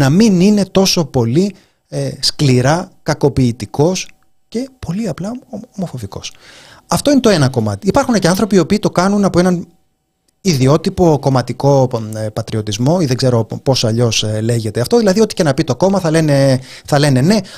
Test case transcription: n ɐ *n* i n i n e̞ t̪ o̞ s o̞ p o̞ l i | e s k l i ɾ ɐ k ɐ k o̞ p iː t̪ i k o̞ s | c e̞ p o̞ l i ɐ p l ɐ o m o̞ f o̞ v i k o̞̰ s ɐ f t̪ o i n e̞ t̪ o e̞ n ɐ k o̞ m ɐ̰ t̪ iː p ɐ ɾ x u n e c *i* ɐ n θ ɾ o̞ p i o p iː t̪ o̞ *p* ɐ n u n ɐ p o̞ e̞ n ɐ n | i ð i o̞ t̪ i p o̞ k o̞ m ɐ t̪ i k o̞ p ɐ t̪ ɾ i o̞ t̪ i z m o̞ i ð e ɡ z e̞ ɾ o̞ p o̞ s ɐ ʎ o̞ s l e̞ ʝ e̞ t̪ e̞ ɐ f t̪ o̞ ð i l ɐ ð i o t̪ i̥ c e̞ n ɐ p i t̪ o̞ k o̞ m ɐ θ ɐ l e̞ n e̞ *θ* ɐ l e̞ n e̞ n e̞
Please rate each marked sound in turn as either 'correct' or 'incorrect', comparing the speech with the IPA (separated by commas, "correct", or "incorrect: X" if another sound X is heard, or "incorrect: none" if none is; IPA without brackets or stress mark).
incorrect: m, incorrect: e, incorrect: k, correct